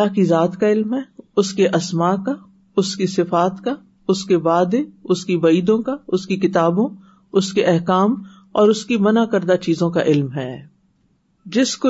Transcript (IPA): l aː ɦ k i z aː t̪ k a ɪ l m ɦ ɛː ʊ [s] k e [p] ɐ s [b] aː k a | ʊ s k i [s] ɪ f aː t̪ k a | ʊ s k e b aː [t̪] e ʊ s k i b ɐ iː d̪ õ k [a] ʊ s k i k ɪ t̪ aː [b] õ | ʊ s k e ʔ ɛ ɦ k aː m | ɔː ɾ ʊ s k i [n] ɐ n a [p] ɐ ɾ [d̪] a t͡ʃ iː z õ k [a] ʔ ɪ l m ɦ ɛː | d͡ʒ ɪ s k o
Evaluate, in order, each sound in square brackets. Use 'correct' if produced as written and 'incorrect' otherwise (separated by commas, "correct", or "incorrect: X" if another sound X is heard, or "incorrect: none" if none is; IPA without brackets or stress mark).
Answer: correct, incorrect: ʔ, incorrect: m, correct, incorrect: d̪, correct, correct, incorrect: m, incorrect: k, correct, correct